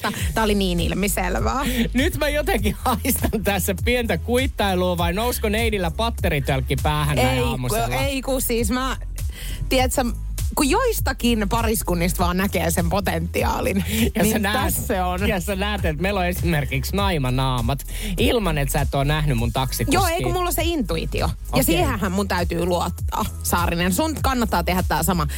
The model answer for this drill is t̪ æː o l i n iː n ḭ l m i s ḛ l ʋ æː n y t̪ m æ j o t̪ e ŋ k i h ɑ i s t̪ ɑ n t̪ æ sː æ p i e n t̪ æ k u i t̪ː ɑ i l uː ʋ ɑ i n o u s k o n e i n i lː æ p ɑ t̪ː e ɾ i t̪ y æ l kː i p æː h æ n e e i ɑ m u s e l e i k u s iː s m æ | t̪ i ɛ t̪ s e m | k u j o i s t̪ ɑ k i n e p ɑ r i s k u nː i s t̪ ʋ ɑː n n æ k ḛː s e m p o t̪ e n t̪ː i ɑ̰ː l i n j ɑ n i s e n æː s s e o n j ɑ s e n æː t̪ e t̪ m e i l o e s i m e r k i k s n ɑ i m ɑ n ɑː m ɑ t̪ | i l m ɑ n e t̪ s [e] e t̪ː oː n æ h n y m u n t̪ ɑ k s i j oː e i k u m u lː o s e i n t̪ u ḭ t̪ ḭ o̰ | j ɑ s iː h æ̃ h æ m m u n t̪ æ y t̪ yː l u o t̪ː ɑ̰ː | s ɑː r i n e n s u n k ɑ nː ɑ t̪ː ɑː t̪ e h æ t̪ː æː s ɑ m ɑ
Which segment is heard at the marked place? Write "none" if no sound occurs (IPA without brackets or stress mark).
æ